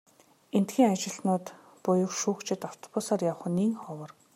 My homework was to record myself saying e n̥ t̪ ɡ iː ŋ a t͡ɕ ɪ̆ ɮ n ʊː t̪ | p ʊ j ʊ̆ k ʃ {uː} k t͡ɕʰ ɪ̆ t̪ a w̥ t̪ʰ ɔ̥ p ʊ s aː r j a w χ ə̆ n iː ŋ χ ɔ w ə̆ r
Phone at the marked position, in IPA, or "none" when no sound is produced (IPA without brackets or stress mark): uː